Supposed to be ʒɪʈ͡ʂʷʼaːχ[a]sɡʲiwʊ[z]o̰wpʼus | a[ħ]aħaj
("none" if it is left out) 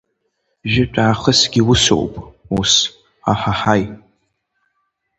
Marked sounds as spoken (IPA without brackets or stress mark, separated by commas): ə, s, ħ